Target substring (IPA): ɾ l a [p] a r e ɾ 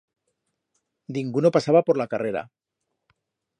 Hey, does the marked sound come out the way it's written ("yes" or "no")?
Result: no